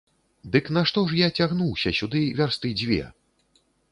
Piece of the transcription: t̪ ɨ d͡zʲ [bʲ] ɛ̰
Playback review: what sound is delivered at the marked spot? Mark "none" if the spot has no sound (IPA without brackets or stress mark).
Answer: vʲ